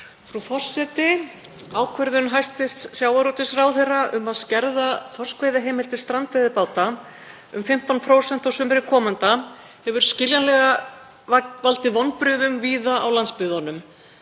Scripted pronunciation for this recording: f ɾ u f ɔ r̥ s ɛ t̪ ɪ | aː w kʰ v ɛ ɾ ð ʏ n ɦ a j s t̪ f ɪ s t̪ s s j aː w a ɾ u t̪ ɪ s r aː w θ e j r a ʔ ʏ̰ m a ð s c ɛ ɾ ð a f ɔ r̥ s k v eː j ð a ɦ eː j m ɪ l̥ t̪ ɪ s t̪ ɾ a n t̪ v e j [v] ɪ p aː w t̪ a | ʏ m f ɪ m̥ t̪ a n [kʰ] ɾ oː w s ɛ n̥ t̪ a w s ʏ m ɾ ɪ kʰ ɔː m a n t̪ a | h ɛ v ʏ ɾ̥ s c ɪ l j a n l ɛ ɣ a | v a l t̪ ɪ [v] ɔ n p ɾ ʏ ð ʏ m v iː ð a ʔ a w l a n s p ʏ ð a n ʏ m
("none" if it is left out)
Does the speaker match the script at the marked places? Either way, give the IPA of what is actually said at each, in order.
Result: ð, pʰ, v

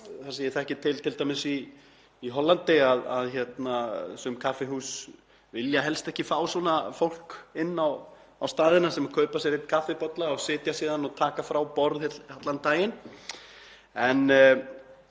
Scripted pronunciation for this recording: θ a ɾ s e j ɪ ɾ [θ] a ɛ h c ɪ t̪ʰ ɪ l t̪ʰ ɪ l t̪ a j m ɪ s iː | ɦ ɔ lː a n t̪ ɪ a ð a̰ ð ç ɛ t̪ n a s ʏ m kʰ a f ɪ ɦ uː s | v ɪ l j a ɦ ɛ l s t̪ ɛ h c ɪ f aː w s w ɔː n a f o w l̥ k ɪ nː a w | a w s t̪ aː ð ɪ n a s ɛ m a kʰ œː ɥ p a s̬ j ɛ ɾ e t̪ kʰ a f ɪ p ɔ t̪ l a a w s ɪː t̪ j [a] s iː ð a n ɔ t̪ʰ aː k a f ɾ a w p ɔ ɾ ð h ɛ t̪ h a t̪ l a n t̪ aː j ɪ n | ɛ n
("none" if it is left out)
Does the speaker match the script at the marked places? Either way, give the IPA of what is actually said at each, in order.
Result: θ, a

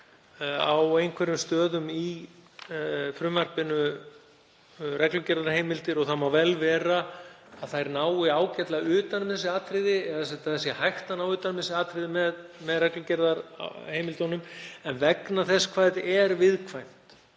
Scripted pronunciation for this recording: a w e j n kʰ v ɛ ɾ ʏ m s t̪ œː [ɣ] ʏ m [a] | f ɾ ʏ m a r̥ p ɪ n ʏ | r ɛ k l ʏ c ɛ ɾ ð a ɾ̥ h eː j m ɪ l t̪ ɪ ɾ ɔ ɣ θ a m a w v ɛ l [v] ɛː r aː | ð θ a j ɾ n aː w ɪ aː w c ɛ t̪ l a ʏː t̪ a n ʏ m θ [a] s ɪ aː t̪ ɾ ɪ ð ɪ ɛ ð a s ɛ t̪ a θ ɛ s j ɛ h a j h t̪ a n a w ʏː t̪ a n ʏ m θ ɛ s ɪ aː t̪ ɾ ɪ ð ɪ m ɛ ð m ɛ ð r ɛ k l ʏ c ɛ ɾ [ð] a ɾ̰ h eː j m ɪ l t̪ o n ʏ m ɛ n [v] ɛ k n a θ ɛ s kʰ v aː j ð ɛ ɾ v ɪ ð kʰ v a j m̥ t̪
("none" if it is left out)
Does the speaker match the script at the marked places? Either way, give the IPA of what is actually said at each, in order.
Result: ð, i, v, ɛ, ð, v

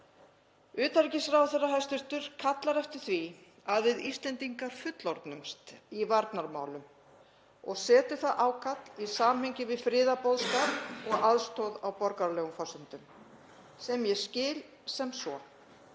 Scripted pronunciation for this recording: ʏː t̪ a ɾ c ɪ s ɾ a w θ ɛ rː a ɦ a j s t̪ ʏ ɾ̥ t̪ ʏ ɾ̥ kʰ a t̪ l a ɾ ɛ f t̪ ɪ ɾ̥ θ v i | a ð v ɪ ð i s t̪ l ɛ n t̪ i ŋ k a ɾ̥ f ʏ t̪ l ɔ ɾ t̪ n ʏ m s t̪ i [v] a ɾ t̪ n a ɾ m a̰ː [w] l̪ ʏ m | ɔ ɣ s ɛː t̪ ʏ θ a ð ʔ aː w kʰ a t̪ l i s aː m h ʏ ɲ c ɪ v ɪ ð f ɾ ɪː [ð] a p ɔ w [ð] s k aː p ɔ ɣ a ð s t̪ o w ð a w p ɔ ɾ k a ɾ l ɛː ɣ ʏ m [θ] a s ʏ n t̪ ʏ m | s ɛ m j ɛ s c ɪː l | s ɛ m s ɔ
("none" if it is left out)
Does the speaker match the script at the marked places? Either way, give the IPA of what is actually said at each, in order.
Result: v, w, ð, ð, f

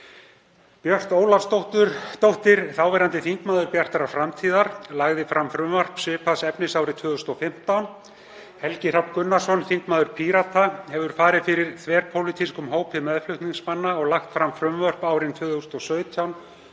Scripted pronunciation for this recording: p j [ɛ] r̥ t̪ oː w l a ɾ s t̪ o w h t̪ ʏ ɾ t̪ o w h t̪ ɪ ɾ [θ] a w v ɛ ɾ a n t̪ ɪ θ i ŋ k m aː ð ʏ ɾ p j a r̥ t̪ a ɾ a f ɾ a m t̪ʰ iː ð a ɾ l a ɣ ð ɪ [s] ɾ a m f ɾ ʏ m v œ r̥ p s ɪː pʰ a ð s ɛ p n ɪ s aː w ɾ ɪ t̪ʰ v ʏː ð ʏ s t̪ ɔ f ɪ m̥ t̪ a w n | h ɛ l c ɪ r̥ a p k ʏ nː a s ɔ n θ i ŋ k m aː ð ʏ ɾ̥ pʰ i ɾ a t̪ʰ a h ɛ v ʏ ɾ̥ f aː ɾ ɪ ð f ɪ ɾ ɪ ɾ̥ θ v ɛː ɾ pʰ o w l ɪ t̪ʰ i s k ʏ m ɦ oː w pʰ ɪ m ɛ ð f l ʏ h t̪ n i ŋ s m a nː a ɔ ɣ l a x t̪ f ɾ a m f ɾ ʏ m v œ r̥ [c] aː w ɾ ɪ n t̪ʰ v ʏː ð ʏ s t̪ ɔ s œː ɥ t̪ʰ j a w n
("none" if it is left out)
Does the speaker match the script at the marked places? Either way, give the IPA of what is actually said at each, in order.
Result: œ, θ, f, p

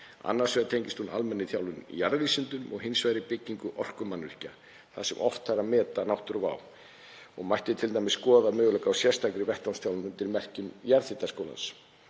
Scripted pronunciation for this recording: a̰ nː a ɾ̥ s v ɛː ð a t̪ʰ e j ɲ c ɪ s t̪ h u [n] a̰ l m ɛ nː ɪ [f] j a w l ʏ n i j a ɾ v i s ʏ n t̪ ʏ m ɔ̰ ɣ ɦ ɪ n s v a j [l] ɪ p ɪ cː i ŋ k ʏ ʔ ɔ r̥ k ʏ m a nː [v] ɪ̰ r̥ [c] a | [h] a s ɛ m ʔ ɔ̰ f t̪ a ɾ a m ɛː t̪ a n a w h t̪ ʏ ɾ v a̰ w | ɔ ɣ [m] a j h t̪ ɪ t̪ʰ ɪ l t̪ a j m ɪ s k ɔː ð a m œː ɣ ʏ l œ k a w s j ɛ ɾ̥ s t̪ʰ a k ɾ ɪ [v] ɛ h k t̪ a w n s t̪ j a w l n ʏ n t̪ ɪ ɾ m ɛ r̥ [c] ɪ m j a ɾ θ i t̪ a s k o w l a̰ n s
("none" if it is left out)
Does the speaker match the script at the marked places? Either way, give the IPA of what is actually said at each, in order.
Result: n, θ, ɾ, v, c, θ, m, v, c

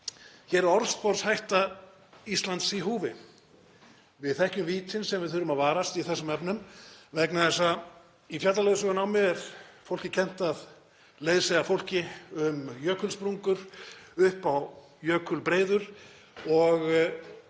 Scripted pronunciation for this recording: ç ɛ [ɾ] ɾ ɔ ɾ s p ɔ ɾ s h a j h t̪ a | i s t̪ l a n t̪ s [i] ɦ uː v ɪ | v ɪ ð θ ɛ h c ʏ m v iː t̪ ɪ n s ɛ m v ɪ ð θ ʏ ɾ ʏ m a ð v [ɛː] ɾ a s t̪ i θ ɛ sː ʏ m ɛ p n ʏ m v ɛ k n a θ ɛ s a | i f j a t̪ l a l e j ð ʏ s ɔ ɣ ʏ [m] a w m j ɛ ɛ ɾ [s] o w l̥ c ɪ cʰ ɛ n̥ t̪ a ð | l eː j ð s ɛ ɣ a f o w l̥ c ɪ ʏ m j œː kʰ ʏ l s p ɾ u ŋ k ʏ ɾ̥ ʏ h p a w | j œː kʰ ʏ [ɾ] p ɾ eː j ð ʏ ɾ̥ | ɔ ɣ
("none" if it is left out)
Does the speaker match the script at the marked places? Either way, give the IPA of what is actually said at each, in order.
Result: ɾ, i, aː, n, f, l

